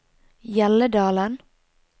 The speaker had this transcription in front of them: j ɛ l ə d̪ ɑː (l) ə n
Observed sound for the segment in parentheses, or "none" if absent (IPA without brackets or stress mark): l